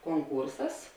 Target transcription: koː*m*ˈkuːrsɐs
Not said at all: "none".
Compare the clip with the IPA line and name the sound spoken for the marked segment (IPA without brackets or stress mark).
ŋ